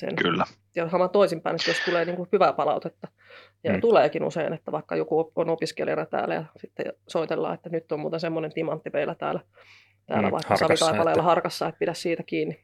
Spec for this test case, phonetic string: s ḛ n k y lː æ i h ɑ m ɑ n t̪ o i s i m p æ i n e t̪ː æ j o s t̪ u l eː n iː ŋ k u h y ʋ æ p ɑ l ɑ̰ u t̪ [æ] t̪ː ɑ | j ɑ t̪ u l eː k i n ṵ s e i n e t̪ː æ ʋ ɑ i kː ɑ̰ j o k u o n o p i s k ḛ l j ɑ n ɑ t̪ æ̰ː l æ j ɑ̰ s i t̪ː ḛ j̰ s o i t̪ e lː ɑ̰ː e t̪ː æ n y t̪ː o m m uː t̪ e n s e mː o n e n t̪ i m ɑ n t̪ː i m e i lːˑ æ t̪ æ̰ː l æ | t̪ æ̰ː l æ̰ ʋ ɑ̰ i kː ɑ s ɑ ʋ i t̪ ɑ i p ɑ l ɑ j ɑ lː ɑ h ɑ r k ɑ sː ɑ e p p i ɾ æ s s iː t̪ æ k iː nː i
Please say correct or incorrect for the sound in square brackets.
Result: incorrect